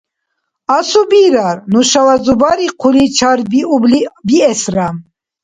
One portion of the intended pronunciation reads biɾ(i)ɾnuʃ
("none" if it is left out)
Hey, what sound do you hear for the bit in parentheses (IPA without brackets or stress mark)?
a